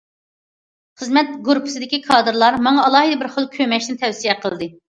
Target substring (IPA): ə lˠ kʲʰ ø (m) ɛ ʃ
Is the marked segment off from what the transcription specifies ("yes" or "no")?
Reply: no